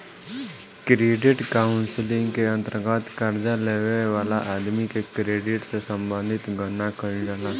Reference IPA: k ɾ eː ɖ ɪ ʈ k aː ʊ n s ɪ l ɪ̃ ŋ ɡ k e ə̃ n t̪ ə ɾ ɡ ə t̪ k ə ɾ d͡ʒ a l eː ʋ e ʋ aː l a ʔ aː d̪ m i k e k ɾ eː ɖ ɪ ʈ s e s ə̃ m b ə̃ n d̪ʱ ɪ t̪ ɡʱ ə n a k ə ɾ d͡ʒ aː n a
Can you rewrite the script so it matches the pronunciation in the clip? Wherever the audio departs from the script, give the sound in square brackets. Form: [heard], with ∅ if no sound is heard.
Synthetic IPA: k ɾ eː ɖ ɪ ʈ k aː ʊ n s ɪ l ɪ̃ ŋ ɡ k e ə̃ n t̪ ə ɾ ɡ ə t̪ k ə ɾ d͡ʒ a l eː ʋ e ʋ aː l a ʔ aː d̪ m i k e k ɾ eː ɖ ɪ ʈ s e s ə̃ m b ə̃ n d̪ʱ ɪ t̪ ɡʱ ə n a k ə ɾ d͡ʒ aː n a